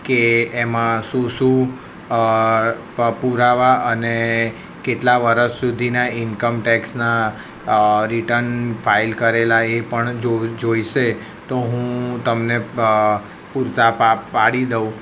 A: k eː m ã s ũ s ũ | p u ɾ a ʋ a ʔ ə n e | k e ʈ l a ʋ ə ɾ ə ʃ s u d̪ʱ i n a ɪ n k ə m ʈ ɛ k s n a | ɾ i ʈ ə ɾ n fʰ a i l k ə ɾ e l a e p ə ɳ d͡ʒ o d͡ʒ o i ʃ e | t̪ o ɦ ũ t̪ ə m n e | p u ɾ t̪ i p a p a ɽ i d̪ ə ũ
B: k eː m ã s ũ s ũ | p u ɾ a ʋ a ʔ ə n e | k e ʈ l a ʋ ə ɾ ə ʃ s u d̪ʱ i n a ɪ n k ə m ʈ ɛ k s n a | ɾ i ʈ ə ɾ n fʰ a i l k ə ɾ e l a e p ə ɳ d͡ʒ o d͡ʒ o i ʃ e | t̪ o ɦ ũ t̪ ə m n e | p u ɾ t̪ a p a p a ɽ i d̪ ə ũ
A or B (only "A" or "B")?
B